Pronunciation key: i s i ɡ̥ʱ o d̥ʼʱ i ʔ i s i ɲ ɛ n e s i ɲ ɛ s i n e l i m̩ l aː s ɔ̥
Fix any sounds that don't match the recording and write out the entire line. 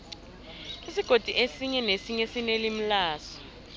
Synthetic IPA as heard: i s i ɡ̥ʱ o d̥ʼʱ i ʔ e s i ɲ ɛ n e s i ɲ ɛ s i n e l i m̩ l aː s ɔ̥